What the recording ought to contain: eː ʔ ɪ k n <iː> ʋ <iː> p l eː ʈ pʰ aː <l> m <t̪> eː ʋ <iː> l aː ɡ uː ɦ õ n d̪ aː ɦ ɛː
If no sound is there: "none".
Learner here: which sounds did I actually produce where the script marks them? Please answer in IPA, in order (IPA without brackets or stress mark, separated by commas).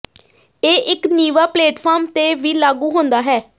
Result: iː, aː, ɾ, t̪, iː